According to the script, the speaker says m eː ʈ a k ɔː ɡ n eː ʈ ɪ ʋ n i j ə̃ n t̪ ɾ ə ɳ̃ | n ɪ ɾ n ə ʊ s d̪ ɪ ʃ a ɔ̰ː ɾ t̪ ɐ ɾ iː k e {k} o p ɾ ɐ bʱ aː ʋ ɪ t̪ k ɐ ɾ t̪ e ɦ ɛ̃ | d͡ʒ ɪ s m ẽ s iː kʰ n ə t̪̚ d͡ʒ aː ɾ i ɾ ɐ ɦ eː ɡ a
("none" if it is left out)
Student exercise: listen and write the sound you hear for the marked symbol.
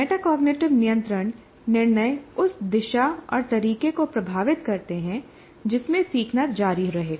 k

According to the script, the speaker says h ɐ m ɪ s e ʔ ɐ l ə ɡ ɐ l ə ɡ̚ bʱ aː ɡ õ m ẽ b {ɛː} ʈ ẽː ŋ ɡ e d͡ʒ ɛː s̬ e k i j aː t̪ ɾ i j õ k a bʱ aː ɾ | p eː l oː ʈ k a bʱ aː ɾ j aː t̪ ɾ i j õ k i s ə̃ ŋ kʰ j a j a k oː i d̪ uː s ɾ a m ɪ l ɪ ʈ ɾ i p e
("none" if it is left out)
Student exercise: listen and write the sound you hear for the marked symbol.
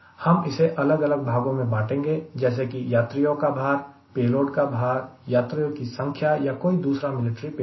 aː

